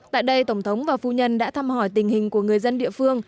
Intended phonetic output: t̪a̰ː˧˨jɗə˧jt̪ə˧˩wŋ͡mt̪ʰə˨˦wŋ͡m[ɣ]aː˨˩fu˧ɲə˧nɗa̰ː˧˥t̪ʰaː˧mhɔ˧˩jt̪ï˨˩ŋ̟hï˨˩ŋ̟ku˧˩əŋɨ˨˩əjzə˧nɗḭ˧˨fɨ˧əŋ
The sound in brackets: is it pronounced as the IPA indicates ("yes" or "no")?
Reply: no